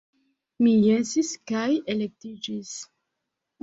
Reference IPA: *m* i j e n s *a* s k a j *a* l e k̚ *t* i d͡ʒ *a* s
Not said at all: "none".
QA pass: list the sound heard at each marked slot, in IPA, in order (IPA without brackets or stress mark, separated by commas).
m, i, e, t, i